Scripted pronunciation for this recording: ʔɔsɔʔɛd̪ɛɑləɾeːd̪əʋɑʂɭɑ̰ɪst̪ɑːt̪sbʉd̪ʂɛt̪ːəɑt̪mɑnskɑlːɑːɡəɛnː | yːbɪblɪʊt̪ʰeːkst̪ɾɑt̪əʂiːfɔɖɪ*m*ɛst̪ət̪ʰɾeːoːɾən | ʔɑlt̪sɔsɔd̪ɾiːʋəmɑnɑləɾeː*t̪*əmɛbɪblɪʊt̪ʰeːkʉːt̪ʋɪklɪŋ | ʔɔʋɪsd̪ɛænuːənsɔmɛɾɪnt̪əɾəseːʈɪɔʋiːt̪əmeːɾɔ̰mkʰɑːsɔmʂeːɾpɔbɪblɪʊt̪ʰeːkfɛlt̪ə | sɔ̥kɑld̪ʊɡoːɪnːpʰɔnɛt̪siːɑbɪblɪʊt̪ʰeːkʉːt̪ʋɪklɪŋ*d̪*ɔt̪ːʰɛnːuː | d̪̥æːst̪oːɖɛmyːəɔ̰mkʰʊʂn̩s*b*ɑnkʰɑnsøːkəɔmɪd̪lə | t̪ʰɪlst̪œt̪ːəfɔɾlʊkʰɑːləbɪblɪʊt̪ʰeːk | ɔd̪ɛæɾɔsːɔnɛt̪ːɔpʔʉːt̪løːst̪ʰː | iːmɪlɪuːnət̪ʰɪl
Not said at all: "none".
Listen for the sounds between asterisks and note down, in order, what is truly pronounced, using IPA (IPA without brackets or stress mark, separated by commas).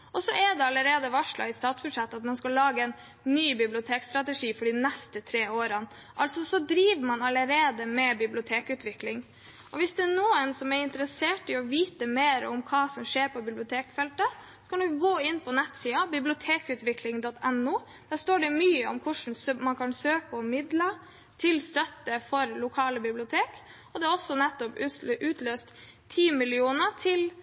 n, d̪, d̪, m